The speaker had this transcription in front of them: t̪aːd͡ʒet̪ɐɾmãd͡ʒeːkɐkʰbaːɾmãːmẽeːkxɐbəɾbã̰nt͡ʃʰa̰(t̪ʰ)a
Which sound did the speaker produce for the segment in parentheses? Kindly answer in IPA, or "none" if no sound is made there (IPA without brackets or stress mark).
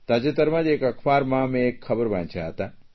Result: t̪